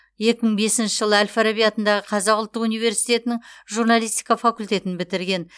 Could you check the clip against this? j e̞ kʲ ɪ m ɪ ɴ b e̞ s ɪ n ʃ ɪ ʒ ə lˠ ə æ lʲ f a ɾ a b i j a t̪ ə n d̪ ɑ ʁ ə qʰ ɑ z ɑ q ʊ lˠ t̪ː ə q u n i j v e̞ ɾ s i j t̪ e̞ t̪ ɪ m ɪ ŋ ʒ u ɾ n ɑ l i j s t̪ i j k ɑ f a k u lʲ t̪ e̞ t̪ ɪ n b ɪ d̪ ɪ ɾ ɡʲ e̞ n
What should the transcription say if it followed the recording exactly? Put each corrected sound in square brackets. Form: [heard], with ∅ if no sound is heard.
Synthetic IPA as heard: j e̞ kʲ ɪ m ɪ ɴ b e̞ s ɪ n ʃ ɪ ʒ ə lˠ ə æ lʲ f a ɾ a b i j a t̪ ə n d̪ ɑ ʁ ə qʰ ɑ z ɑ q ʊ lˠ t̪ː ə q u n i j v e̞ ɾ s i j t̪ e̞ t̪ ɪ [n] ɪ ŋ ʒ u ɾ n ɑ l i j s t̪ i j k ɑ f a k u lʲ t̪ e̞ t̪ ɪ n b ɪ [t̪] ɪ ɾ ɡʲ e̞ n